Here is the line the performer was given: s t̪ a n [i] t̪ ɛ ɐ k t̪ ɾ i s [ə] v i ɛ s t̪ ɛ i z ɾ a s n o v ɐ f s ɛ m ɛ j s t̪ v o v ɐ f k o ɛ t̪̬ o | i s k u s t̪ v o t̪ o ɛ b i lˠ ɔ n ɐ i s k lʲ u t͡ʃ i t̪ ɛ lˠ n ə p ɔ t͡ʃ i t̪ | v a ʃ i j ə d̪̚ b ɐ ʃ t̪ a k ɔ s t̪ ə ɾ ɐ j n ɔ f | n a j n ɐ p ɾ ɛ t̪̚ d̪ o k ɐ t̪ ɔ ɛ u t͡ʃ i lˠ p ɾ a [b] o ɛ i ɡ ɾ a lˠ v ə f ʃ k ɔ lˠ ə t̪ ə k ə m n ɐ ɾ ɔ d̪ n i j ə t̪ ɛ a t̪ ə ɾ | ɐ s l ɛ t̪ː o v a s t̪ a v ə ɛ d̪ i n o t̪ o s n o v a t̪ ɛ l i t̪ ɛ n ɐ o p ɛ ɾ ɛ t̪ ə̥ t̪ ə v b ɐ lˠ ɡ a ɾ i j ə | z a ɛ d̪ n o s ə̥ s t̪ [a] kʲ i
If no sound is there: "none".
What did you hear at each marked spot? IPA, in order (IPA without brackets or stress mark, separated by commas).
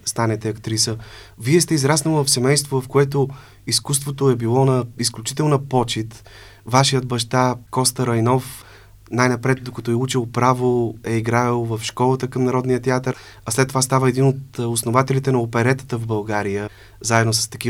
ɛ, ə, v, ɐ